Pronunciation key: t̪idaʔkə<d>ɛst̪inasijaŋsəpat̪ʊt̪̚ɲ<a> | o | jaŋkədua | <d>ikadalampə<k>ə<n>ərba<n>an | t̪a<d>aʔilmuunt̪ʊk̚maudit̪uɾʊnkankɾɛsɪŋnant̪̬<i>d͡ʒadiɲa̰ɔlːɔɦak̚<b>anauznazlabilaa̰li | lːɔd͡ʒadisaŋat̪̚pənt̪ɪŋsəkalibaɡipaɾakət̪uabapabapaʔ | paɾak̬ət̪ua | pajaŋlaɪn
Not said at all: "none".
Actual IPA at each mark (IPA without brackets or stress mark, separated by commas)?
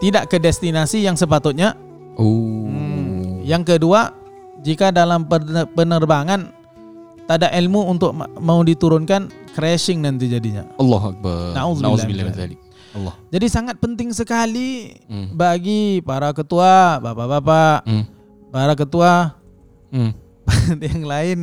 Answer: d, a, d͡ʒ, p, n, ŋ, d, i, b